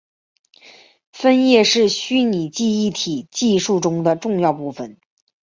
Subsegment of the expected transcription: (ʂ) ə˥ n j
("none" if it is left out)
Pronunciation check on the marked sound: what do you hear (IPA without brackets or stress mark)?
f